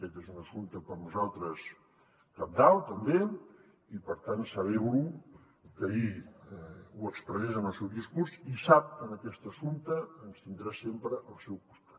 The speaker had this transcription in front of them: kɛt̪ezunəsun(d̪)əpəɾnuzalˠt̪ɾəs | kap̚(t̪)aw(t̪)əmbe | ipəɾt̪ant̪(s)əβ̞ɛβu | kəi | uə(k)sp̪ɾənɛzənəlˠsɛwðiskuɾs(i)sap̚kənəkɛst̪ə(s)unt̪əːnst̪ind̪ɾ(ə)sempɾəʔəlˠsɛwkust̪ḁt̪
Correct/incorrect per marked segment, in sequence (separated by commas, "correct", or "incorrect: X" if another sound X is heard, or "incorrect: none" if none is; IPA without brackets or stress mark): incorrect: t̪, incorrect: d̪, correct, correct, correct, correct, correct, incorrect: a